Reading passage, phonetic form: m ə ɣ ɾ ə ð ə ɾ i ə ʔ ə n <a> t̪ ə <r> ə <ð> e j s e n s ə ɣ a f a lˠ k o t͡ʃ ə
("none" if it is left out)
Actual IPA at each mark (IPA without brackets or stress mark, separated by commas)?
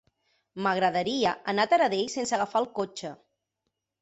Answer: a, ɾ, ð